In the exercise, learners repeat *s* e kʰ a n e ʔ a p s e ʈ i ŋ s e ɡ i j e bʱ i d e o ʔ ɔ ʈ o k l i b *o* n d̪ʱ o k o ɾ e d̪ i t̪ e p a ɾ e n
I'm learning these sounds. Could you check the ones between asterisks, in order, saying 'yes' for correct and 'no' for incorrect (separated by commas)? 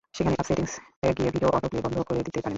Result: no, no